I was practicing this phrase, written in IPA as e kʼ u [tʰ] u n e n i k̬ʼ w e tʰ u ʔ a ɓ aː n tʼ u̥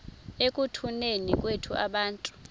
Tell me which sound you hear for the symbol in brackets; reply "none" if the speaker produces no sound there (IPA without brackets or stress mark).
tʰ